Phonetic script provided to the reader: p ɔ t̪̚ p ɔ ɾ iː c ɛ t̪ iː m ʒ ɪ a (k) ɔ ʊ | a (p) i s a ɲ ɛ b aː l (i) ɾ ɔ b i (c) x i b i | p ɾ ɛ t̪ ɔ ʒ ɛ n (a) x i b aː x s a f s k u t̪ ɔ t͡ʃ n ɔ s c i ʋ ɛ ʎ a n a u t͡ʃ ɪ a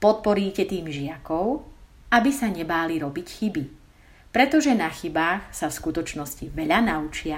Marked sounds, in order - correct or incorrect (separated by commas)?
correct, incorrect, correct, correct, correct